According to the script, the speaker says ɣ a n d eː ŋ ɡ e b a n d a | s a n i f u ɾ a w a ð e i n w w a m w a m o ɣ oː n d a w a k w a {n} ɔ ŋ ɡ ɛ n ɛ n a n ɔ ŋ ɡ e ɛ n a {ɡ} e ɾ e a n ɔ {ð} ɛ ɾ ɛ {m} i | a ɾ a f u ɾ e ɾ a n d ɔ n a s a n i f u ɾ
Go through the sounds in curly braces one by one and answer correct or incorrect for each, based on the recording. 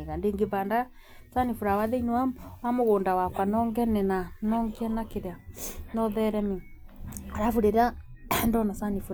correct, incorrect: k, correct, correct

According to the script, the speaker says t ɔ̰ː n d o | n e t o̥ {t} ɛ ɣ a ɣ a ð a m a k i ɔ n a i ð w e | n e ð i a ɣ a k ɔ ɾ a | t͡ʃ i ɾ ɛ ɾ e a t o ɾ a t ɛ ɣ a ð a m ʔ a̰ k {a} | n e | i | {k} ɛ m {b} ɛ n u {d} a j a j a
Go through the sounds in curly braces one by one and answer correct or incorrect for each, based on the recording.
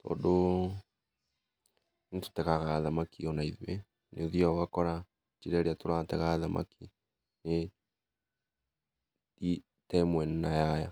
correct, incorrect: i, incorrect: t, incorrect: w, incorrect: n

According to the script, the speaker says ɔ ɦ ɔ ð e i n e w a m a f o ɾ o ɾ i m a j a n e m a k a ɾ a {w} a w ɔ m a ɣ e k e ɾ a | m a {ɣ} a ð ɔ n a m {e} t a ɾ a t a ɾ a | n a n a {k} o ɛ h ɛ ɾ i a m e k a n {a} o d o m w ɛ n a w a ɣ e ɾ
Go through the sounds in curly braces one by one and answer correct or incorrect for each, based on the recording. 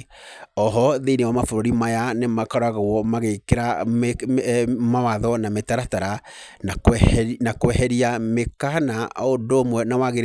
incorrect: ɣ, incorrect: w, correct, correct, correct

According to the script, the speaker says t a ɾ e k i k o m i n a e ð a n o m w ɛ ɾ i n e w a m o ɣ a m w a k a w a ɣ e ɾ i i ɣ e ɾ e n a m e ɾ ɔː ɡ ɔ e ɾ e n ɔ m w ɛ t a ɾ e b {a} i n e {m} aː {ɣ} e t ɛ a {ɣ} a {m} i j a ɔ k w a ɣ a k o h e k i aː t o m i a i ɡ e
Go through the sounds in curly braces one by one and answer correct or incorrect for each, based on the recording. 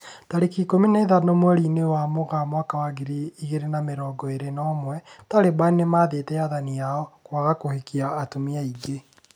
correct, correct, incorrect: ð, incorrect: ð, incorrect: n

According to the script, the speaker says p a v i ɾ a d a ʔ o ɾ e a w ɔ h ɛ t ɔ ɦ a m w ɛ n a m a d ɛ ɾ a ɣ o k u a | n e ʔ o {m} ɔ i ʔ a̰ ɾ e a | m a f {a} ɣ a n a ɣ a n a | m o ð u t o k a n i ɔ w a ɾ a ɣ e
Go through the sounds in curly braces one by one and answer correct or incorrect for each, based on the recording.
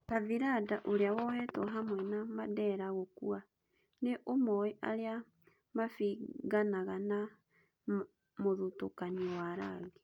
correct, incorrect: i

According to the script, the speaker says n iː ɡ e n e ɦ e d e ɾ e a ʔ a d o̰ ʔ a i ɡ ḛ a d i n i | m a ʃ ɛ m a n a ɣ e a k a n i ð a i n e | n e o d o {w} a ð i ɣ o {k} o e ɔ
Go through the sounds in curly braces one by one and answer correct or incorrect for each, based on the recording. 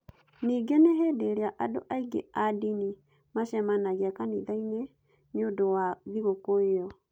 correct, correct

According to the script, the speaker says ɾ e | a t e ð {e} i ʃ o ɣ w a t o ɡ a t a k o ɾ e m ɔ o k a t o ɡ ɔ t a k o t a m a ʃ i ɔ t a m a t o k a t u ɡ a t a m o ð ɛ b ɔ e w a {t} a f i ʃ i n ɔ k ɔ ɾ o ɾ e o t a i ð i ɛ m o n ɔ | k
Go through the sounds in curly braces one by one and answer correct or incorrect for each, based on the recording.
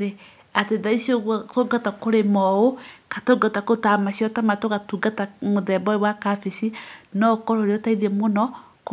incorrect: a, incorrect: k

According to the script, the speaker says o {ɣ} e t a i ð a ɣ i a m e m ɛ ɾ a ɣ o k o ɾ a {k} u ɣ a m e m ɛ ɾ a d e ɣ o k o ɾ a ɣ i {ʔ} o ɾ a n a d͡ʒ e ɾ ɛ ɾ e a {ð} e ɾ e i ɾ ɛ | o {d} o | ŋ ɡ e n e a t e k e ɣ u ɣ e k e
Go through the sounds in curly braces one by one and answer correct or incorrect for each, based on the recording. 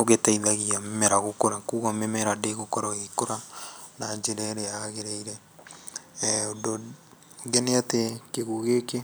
correct, correct, incorrect: k, incorrect: ɣ, correct

